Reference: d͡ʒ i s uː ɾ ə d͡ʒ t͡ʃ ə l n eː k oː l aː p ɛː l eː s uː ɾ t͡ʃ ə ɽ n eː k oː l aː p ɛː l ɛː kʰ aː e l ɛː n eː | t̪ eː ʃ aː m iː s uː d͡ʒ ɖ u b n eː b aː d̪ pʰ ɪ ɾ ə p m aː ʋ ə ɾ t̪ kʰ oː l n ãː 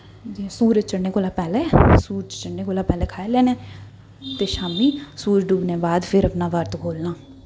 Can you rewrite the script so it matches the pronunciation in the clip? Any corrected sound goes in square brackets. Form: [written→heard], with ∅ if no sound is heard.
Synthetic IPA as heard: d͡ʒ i s uː ɾ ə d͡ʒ t͡ʃ ə [l→ɽ] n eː k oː l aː p ɛː l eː s uː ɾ t͡ʃ ə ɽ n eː k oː l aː p ɛː l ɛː kʰ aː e l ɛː n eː | t̪ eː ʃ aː m iː s uː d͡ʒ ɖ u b n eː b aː d̪ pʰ ɪ ɾ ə p [m→n] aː ʋ ə ɾ t̪ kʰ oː l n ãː